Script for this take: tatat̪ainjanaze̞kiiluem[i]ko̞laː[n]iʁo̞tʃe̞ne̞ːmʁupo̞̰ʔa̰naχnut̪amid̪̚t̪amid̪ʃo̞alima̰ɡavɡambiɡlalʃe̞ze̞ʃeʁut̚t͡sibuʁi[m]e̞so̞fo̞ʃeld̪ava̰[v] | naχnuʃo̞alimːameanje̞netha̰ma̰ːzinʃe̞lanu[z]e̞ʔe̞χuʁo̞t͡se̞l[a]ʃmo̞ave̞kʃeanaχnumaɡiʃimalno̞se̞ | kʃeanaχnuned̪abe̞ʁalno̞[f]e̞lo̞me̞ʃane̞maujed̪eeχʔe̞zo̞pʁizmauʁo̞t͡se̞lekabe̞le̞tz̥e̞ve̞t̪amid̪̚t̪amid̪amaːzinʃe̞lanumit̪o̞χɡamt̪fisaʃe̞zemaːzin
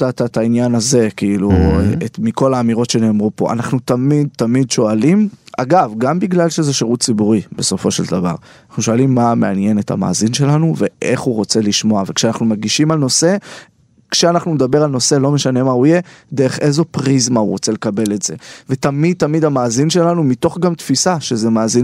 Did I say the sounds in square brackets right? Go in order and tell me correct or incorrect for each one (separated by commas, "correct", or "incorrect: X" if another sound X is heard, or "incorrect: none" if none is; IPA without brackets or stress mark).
correct, incorrect: m, incorrect: b, incorrect: ʁ, incorrect: v, incorrect: i, incorrect: s